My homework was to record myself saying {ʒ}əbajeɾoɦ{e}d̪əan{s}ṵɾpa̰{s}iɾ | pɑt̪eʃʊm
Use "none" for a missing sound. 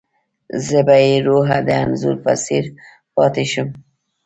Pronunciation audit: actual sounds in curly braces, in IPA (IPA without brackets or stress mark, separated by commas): z, a, z, s